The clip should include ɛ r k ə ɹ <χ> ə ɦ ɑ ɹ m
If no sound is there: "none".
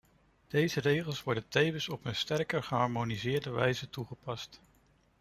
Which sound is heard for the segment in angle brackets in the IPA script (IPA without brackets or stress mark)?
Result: χ